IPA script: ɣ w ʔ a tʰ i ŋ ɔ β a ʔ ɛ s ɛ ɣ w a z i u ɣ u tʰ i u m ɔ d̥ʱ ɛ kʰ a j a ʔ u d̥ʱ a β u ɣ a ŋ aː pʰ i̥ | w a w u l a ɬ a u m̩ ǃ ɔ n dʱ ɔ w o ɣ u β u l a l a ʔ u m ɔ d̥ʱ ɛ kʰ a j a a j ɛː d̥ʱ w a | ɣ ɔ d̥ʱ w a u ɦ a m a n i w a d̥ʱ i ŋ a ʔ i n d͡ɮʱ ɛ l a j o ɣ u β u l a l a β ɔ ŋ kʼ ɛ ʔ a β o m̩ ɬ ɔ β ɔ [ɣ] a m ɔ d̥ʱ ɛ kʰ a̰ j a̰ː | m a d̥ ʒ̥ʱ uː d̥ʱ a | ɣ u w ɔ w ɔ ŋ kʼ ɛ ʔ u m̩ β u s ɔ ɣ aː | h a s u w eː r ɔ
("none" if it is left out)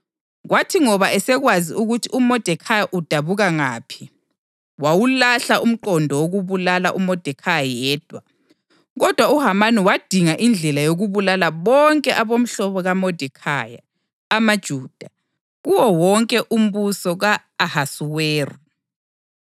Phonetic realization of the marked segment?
ɣ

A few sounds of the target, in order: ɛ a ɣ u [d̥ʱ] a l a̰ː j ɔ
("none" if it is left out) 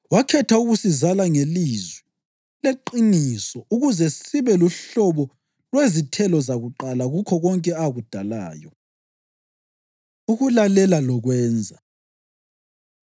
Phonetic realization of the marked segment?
d̥ʱ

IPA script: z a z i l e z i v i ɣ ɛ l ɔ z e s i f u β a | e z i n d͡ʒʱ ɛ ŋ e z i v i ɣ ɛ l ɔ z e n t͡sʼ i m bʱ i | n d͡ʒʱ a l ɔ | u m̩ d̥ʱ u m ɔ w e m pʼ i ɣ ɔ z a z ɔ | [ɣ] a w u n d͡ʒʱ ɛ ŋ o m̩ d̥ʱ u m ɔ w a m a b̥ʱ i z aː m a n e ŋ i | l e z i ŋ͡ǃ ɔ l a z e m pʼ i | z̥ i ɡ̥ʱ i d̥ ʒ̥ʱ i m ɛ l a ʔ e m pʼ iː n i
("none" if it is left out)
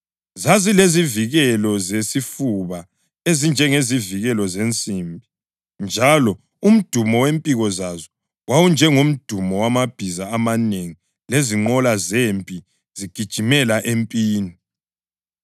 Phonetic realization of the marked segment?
w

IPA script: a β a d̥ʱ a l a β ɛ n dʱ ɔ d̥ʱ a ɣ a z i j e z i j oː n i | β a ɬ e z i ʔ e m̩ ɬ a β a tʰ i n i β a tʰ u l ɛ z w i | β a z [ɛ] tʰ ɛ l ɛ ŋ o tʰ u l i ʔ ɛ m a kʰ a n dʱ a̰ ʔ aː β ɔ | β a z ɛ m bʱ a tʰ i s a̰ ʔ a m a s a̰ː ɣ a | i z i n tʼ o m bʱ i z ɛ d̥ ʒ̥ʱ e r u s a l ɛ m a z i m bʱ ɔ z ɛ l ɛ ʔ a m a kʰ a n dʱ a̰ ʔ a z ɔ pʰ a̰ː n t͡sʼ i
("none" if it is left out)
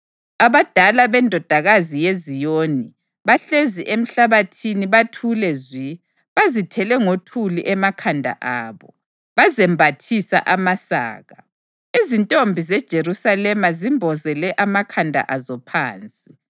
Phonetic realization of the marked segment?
i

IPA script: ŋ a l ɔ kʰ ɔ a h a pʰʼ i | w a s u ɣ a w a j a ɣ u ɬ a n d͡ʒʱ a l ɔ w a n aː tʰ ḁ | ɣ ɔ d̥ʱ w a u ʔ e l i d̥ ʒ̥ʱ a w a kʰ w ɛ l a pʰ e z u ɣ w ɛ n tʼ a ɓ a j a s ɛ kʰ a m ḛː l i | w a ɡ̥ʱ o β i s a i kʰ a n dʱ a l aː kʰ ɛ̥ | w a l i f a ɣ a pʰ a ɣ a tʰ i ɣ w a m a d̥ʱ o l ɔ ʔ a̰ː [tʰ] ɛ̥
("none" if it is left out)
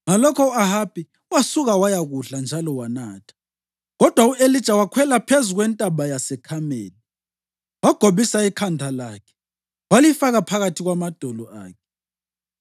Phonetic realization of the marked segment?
kʰ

